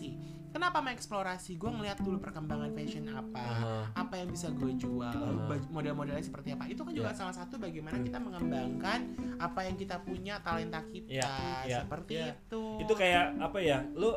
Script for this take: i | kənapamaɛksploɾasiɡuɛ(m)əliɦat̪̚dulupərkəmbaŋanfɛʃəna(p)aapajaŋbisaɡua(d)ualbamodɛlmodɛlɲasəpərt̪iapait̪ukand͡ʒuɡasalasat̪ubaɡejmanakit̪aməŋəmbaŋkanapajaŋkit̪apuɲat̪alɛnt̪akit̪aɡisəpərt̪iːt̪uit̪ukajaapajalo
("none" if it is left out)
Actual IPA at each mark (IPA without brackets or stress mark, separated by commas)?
ŋ, p, d͡ʒ